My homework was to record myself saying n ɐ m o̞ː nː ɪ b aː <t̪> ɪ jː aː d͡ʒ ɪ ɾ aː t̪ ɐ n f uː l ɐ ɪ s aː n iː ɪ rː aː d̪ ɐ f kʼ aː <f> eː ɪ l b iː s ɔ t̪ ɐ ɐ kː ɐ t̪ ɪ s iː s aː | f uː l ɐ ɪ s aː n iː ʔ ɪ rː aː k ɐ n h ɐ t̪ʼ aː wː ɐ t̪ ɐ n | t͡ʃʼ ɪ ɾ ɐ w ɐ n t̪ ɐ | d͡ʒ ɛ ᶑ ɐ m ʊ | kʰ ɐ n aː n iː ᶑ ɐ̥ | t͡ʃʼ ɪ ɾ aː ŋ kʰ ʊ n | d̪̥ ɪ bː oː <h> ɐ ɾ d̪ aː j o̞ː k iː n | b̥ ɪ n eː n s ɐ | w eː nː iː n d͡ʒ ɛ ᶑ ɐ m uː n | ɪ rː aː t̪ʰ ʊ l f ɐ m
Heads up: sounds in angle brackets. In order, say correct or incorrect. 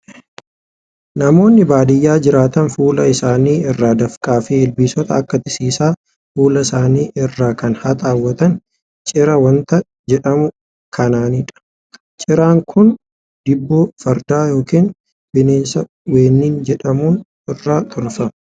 incorrect: d̪, correct, incorrect: f

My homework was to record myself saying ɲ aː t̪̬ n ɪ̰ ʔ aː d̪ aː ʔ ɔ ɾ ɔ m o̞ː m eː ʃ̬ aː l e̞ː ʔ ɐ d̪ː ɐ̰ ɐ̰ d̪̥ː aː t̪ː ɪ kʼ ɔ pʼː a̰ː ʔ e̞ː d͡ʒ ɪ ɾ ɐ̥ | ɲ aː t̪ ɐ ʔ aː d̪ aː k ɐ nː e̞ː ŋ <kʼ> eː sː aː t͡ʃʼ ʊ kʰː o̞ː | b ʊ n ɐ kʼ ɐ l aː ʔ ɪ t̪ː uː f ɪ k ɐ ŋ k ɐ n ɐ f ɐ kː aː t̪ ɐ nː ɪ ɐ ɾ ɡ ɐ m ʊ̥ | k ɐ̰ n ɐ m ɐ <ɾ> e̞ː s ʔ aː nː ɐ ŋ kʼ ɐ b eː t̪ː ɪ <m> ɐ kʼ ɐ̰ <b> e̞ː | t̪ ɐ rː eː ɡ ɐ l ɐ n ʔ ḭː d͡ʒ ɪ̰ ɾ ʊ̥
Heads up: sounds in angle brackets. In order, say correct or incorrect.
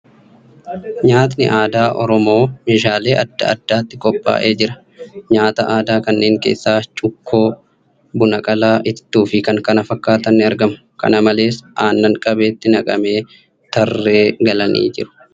incorrect: k, incorrect: l, incorrect: n, incorrect: m

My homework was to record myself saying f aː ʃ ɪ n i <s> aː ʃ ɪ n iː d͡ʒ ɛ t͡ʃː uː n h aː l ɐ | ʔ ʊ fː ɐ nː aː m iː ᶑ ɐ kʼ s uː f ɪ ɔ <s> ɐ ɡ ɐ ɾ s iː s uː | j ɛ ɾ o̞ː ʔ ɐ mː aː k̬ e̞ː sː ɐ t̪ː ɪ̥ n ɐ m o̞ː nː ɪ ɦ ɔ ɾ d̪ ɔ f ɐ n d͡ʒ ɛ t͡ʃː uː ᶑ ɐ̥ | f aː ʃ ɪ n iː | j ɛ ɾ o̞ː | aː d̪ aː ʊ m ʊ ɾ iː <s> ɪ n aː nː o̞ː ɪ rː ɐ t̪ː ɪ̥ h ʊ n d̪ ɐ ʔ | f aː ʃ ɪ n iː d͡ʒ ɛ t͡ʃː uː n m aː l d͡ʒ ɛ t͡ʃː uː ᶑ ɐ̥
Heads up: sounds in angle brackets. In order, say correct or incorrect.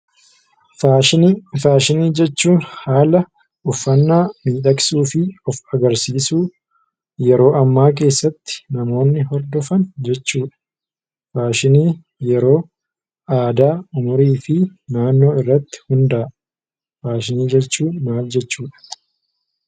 incorrect: f, incorrect: f, incorrect: f

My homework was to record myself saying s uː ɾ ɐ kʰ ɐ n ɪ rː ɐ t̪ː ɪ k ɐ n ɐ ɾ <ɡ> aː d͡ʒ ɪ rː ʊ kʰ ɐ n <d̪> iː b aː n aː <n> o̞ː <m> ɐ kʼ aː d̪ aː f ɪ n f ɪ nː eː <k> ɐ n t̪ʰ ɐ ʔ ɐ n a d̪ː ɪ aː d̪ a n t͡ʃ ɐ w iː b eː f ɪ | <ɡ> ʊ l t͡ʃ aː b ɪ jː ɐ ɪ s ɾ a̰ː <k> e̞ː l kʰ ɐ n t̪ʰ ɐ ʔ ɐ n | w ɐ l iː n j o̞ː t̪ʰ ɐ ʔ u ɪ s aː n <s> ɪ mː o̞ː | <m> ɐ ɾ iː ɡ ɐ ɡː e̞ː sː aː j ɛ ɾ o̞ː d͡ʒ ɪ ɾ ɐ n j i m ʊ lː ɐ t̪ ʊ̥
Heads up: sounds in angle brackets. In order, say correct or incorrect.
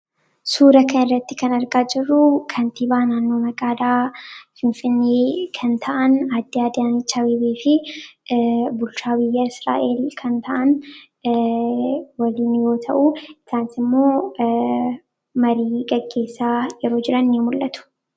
correct, incorrect: t̪, incorrect: nː, correct, incorrect: kʰ, incorrect: b, incorrect: ʔ, correct, correct

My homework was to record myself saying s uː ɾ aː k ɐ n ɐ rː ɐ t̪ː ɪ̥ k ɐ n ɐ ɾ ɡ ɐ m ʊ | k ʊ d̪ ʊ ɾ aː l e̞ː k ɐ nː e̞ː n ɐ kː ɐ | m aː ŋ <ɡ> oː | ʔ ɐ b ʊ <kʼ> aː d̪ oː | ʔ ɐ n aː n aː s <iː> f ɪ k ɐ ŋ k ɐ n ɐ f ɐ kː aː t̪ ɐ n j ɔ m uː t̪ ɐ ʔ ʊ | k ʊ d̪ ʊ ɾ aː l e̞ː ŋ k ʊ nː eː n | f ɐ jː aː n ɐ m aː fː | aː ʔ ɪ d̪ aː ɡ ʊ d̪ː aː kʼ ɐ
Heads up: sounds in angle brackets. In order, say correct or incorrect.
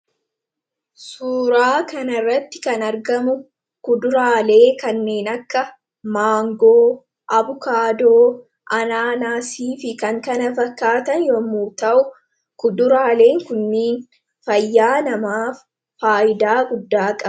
correct, incorrect: k, correct

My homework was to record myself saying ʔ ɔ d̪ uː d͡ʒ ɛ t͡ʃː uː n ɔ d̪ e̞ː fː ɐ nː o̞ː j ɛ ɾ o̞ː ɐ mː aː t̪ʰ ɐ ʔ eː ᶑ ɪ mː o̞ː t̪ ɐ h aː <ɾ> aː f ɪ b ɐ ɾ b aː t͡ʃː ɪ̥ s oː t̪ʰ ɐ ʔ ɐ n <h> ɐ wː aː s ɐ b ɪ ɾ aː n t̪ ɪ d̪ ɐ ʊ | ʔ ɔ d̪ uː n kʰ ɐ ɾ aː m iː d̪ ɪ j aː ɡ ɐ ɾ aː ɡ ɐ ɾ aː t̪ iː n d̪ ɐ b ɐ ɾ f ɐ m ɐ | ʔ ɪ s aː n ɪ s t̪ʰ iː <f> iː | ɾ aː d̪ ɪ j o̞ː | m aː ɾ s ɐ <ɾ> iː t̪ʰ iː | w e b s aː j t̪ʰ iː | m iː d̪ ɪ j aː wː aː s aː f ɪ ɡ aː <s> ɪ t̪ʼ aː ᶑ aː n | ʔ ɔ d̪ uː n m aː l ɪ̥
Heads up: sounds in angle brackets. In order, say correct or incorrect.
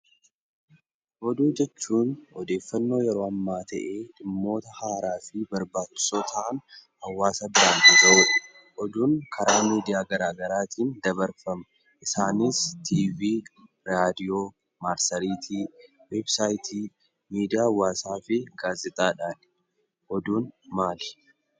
correct, correct, incorrect: v, correct, incorrect: z

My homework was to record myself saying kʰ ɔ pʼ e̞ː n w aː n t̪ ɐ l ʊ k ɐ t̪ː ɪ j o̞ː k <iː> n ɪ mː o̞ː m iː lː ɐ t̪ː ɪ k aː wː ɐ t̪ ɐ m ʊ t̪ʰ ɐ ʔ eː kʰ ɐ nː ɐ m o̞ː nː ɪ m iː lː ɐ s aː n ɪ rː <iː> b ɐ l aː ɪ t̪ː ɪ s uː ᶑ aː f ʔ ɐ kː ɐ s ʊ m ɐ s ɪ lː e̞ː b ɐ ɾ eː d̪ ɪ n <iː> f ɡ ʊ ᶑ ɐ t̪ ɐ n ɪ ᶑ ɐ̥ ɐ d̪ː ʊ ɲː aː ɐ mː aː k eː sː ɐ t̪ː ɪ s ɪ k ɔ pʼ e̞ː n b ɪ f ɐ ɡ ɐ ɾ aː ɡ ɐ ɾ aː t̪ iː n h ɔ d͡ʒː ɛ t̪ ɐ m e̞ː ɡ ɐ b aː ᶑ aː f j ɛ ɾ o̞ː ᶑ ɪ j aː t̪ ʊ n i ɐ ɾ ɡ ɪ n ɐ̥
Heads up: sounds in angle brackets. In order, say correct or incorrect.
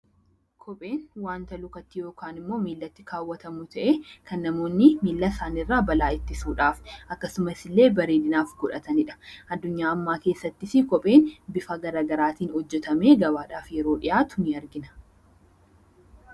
incorrect: aː, incorrect: aː, incorrect: aː

